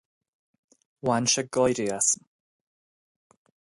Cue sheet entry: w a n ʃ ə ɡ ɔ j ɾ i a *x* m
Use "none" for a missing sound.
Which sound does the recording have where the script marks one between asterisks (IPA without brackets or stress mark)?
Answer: s